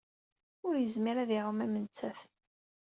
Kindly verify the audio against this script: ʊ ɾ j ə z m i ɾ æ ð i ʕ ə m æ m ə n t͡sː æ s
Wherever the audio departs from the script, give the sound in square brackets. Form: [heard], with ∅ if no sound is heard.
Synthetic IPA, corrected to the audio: ʊ ɾ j ə z m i ɾ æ ð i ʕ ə m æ m ə n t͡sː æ [θ]